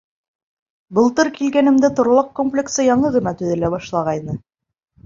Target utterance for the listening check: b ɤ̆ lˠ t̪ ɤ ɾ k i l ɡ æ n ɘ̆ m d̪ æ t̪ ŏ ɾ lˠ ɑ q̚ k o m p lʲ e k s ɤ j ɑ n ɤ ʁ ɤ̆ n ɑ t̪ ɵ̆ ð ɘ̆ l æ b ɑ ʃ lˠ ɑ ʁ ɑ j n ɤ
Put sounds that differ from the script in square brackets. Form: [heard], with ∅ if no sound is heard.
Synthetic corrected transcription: b ɤ̆ lˠ t̪ ɤ ɾ k i l ɡ æ n ɘ̆ m d̪ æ t̪ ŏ ɾ lˠ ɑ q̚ k o m p lʲ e k s ɤ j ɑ [ɴ] ɤ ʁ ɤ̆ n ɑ t̪ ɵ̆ ð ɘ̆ l æ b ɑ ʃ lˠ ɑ ʁ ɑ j n ɤ

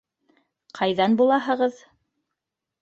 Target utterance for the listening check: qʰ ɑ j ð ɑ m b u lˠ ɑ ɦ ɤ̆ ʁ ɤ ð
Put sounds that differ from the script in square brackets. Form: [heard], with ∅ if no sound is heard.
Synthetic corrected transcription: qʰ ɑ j ð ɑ [n] b u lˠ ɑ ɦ ɤ̆ ʁ ɤ ð

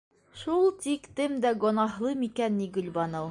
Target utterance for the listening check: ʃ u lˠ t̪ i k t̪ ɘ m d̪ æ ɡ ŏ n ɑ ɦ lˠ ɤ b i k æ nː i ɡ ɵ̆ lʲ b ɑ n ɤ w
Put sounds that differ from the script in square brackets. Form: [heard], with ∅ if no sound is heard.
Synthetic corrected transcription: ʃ u lˠ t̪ i k t̪ ɘ m d̪ æ ɡ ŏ n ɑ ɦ lˠ ɤ [m] i k æ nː i ɡ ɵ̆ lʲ b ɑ n ɤ w

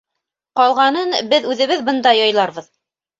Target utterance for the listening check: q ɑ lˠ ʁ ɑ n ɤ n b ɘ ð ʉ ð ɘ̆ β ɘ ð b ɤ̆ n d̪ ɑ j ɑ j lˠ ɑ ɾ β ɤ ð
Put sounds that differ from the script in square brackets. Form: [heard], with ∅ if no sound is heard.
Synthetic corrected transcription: q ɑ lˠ ʁ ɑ n ɤ n b ɘ ð ʉ ð ɘ̆ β ɘ ð b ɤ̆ n d̪ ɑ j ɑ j lˠ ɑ ɾ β ɤ ð

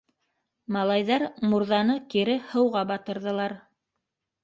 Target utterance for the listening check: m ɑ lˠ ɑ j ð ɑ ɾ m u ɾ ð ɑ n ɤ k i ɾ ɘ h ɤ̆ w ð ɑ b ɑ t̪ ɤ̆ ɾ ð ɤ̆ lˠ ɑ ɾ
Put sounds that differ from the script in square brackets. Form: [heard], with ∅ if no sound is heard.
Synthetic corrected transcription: m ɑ lˠ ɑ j ð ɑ ɾ m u ɾ ð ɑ n ɤ k i ɾ ɘ h ɤ̆ w [ʁ] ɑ b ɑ t̪ ɤ̆ ɾ ð ɤ̆ lˠ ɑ ɾ

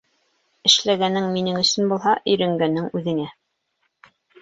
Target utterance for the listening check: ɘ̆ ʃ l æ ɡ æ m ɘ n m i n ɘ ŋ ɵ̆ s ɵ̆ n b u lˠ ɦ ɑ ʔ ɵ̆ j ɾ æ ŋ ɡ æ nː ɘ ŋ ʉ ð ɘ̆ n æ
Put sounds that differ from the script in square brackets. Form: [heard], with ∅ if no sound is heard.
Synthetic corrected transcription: ɘ̆ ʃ l æ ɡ æ [n] ɘ [ŋ] m i n ɘ ŋ ɵ̆ s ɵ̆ n b u lˠ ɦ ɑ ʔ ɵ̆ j ɾ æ ŋ ɡ æ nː ɘ ŋ ʉ ð ɘ̆ [ŋ] æ

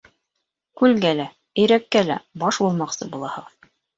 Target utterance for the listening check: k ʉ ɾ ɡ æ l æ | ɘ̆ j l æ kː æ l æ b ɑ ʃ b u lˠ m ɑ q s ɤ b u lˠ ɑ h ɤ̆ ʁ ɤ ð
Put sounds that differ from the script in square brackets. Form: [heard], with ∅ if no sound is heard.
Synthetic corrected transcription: k ʉ [l] ɡ æ l æ | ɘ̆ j [ɾ] æ kː æ l æ b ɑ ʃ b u lˠ m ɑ q s ɤ b u lˠ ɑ h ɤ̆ ʁ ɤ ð

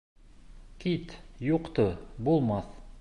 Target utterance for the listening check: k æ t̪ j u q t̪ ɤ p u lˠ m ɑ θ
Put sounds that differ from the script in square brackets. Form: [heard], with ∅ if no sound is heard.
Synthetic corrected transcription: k [i] t̪ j u q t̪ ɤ [b] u lˠ m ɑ θ

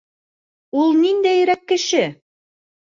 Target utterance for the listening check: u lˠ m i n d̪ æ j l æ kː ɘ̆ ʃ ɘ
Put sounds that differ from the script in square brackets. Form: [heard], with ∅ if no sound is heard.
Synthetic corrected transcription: u lˠ [n] i n d̪ æ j [ɾ] æ kː ɘ̆ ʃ ɘ

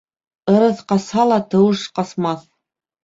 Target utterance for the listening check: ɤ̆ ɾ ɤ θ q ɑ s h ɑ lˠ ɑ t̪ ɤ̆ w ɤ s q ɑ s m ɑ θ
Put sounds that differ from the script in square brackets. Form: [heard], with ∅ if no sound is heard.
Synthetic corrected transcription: ɤ̆ ɾ ɤ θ q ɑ s h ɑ lˠ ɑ t̪ ɤ̆ w ɤ [ʃ] q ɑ s m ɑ θ

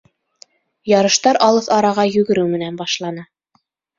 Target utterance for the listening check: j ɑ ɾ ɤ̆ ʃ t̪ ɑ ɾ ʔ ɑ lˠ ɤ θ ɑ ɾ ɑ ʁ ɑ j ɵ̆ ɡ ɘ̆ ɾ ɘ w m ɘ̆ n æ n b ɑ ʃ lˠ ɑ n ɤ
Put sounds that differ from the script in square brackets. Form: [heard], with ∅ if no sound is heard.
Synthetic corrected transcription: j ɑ ɾ ɤ̆ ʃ t̪ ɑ ɾ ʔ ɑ lˠ ɤ θ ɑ ɾ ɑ ʁ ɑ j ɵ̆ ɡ ɘ̆ ɾ ɘ w m ɘ̆ n æ n b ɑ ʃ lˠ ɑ n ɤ

